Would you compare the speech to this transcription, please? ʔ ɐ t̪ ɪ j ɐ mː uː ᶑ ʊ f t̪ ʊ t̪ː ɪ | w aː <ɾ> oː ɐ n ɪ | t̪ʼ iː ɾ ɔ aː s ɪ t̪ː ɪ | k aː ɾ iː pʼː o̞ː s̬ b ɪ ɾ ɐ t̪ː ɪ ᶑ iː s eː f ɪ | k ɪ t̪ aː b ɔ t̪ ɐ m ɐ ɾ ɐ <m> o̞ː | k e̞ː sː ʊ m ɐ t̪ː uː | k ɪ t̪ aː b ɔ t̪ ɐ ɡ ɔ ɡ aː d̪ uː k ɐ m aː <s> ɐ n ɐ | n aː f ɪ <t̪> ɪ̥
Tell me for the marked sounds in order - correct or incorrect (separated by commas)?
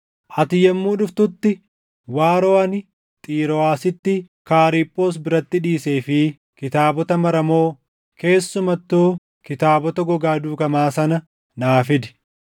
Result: correct, correct, correct, incorrect